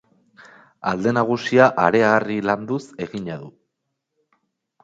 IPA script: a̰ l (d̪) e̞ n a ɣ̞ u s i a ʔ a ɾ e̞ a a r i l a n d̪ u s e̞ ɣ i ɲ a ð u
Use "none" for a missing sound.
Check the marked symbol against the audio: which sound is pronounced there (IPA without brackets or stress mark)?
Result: d̪